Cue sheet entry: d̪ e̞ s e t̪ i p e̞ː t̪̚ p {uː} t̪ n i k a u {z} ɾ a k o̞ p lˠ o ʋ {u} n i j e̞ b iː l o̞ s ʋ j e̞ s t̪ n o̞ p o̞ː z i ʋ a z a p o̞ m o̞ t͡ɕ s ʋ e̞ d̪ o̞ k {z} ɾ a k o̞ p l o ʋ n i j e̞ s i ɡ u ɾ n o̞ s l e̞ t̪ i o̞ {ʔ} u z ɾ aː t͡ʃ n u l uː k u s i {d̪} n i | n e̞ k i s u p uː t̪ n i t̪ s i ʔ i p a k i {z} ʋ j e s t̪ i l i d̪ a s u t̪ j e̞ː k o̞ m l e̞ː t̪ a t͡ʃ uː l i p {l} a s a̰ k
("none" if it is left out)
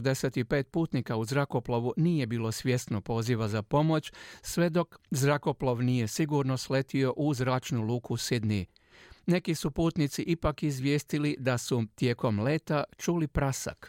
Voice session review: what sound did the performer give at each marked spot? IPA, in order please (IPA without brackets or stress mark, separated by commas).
uː, z, u, z, ʔ, d̪, z, ɾ